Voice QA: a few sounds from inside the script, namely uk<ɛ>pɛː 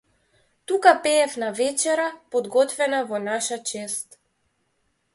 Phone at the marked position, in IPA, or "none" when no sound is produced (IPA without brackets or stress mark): a